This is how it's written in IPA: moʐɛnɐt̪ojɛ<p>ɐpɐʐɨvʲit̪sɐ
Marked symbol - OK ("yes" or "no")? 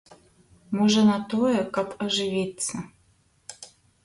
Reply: no